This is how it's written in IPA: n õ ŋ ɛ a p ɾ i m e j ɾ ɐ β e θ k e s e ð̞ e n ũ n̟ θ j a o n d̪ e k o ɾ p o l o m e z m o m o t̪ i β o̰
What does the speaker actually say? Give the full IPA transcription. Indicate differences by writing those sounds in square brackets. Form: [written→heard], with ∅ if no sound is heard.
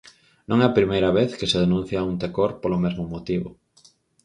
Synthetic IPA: n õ ŋ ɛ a p ɾ i m e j ɾ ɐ β e θ k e s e ð̞ e n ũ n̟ θ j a [o→u] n [d̪→t̪] e k o ɾ p o l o m e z m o m o t̪ i β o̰